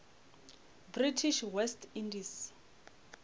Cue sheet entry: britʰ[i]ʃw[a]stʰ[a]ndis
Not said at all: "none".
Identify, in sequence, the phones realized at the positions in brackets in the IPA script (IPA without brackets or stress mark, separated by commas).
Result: i, ɛ, i